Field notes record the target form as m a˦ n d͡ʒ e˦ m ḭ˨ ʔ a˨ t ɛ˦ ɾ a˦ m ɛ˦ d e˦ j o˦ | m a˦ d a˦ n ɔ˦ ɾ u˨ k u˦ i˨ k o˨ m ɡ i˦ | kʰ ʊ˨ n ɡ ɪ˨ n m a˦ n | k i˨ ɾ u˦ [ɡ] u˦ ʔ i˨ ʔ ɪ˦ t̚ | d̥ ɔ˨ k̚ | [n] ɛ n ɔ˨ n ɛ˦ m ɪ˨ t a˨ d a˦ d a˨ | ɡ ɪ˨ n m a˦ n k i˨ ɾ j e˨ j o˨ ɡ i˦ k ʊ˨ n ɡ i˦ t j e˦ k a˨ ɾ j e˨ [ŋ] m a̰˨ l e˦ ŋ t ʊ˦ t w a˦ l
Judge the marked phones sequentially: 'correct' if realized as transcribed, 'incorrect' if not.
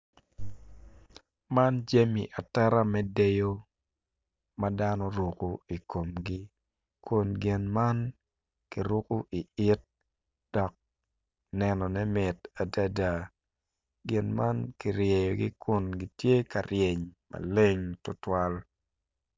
incorrect: k, correct, incorrect: ɲ

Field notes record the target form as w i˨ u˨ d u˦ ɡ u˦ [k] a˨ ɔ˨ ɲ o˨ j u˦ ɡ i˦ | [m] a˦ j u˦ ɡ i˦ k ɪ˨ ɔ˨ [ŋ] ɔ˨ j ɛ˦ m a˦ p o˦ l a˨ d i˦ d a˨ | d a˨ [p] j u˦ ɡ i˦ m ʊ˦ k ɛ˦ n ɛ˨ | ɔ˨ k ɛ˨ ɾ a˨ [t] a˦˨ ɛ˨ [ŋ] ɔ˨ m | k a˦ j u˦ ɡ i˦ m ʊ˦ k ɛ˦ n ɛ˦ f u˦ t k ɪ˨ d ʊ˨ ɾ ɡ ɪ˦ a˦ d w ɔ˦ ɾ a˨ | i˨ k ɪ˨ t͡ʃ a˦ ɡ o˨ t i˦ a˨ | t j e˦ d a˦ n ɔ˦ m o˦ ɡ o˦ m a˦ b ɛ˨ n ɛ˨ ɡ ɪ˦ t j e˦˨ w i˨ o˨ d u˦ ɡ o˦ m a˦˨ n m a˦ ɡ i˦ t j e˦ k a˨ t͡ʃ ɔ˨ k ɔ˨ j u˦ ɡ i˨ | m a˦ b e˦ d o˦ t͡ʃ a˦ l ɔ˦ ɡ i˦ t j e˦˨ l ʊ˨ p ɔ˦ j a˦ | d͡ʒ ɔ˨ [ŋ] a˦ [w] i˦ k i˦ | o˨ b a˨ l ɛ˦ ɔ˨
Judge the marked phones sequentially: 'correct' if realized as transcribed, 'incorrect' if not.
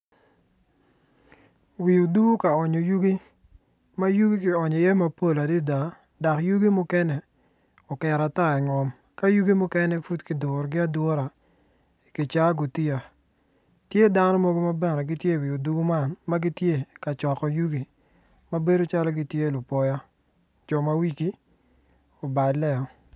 correct, correct, incorrect: ɲ, incorrect: k, correct, correct, incorrect: m, correct

